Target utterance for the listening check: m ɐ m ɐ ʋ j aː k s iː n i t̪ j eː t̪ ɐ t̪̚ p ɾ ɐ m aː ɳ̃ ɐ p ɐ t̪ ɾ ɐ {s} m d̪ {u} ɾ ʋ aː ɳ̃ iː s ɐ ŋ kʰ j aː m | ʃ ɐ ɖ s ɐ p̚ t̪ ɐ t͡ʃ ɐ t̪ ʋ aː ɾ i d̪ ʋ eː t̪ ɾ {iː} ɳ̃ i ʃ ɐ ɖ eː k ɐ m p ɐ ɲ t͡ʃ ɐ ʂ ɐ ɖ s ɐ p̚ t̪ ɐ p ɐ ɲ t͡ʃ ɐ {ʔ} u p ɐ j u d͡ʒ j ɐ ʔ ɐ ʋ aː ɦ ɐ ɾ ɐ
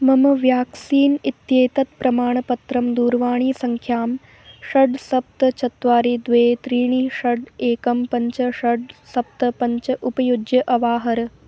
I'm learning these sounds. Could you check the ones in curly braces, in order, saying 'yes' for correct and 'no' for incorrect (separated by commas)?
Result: no, no, yes, yes